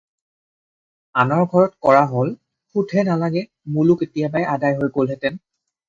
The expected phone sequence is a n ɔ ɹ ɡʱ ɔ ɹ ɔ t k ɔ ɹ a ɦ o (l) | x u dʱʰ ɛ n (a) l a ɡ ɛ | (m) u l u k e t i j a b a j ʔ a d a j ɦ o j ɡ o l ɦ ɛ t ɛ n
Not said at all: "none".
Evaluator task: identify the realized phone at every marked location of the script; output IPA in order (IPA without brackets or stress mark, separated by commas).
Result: l, a, m